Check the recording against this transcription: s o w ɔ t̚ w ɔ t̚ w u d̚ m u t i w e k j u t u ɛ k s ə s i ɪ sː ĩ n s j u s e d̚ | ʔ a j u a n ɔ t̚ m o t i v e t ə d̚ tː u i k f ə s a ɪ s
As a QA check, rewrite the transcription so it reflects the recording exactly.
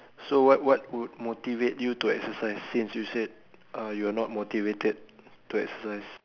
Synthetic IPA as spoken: s o w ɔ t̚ w ɔ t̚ w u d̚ m o t i v e t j u t u ɛ k s ə s a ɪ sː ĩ n s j u s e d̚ | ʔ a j u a n ɔ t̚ m o t i v e t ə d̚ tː u ɛ k s ə s a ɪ s